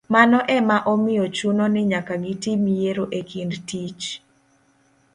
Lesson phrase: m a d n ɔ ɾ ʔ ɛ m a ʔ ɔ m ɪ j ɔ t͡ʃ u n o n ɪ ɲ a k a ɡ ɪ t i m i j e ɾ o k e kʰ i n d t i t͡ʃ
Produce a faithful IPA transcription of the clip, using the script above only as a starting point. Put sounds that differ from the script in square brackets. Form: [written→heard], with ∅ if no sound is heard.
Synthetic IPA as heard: m a [d→∅] n ɔ [ɾ→∅] ʔ ɛ m a ʔ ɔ m ɪ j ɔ t͡ʃ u n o n ɪ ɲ a k a ɡ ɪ t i m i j e ɾ o [k→ʔ] e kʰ i n d t i t͡ʃ